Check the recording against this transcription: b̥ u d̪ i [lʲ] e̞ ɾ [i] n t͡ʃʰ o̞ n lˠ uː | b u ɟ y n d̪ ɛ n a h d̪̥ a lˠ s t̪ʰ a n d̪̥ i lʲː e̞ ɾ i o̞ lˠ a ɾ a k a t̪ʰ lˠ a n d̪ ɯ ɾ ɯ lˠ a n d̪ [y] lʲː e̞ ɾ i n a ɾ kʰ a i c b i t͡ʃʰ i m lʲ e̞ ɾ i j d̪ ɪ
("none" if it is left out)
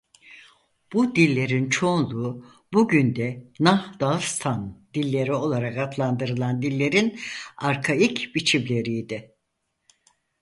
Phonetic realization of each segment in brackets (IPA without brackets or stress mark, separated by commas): lʲː, i, i